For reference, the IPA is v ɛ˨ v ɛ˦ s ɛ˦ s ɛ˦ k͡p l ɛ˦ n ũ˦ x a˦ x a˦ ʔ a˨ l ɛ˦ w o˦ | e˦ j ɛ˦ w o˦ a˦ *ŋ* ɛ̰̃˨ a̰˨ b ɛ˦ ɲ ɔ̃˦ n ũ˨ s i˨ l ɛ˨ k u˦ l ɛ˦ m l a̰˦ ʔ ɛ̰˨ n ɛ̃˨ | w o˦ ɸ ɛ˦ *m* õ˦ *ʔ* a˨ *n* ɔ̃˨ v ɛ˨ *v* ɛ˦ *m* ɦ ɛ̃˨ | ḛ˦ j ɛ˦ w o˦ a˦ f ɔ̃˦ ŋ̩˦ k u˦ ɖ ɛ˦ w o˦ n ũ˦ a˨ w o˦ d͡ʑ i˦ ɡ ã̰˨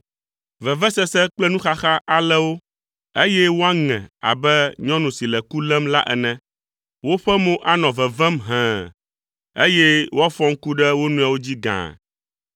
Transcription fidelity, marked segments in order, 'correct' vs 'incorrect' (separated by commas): correct, correct, correct, correct, correct, correct